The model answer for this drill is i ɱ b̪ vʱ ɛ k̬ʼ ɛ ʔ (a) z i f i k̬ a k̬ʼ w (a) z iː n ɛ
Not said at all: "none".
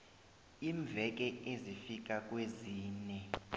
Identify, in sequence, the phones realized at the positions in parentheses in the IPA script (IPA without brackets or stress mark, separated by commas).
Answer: e, e